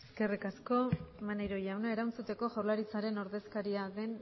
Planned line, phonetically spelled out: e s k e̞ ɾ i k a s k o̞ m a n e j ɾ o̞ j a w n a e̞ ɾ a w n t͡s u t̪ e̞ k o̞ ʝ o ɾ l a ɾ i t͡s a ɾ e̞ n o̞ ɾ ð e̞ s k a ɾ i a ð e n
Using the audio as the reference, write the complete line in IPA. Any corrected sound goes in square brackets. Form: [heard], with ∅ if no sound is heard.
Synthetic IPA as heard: e s k e̞ [r] i k a s k o̞ m a n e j ɾ o̞ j a w n a e̞ ɾ a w n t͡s u t̪ e̞ k o̞ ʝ o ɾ l a ɾ i t͡s a ɾ e̞ n o̞ ɾ ð e̞ s k a ɾ i a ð e n